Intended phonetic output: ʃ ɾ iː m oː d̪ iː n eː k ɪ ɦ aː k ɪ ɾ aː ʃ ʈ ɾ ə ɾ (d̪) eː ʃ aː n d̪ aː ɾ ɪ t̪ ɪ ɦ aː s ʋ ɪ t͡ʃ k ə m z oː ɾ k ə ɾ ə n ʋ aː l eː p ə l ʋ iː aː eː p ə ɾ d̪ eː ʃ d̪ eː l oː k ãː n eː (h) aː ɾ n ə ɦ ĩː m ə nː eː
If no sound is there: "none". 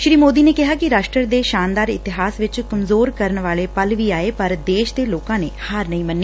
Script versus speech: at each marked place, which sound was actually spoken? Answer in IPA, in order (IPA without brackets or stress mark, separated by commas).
d̪, h